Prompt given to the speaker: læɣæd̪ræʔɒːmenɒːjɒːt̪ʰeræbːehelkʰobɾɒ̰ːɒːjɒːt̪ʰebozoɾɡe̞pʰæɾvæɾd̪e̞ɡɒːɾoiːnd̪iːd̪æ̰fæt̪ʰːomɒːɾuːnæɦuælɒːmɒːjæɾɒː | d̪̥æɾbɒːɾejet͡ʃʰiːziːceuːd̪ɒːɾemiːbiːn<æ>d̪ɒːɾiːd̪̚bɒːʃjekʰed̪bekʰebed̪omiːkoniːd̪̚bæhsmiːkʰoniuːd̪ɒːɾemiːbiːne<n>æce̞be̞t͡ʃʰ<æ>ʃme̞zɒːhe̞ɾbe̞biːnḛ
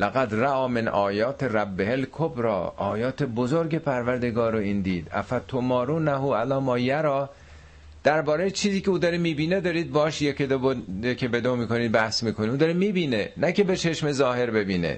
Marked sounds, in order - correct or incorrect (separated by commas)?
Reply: incorrect, correct, incorrect